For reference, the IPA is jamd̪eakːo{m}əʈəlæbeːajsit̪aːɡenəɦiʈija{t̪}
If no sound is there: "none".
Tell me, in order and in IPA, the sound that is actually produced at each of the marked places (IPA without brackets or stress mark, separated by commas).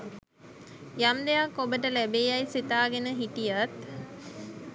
b, t̪